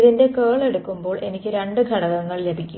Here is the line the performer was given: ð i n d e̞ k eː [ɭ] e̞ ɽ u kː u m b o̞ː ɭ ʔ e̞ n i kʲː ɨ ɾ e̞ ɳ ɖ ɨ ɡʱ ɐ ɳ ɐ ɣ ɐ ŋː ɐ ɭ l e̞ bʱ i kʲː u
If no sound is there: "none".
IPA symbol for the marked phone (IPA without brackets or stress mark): ɭ